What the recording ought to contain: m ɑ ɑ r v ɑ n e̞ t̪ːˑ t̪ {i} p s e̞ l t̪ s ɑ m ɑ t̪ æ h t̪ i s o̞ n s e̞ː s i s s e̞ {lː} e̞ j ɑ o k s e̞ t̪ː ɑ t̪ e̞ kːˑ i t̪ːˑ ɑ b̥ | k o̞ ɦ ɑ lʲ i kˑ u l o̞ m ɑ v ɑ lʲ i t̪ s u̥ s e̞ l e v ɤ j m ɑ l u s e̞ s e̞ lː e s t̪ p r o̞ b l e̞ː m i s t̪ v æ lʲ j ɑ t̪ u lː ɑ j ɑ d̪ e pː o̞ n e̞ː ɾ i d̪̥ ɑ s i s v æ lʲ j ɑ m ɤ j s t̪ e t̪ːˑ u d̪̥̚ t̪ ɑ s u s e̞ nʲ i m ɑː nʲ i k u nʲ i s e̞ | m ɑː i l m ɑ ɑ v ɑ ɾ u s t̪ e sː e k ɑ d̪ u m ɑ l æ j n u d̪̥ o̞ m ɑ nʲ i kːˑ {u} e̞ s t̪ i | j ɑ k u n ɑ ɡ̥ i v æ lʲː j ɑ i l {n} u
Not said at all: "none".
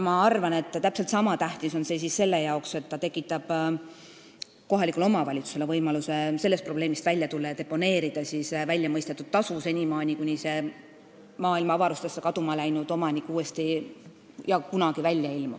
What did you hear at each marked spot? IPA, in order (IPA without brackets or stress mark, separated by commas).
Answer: æ, lː, uː, m